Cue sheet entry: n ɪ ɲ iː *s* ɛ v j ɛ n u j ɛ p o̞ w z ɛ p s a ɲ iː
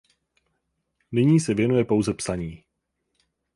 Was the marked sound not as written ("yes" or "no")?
no